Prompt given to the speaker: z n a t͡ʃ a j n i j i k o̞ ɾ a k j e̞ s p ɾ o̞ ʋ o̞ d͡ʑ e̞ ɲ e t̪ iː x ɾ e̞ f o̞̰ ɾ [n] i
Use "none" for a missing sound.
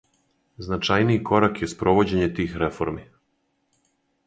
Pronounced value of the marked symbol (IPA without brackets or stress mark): m